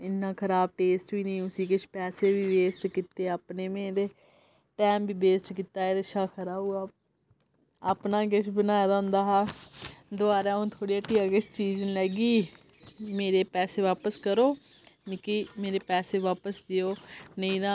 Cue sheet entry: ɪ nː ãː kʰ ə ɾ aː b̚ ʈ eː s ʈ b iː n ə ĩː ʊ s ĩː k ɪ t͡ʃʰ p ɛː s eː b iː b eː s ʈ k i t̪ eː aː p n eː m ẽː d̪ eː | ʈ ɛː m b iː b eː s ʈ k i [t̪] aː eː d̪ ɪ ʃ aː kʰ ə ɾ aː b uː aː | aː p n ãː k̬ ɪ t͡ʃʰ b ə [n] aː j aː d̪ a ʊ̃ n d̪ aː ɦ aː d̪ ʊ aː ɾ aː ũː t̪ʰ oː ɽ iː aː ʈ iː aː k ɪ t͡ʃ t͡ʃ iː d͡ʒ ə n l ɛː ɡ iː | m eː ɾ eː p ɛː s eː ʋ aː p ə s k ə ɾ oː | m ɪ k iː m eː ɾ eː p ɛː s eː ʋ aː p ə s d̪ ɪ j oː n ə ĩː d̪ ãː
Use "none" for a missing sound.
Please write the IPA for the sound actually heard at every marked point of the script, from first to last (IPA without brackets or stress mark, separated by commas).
t̪, n